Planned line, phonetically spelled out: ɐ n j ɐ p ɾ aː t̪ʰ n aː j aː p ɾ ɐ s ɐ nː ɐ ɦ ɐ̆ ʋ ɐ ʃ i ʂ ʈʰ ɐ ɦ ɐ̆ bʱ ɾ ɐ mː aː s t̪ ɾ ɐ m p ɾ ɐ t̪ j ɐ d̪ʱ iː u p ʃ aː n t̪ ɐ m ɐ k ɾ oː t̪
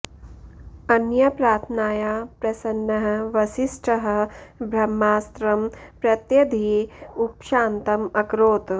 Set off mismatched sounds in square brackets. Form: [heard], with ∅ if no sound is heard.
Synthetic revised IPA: ɐ n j ɐ p ɾ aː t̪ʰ n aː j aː p ɾ ɐ s ɐ nː ɐ ɦ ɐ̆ ʋ ɐ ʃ i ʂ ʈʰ ɐ ɦ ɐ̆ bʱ ɾ ɐ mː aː s t̪ ɾ ɐ m p ɾ ɐ t̪ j ɐ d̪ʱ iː u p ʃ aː n t̪ ɐ m ɐ k ɾ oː t̪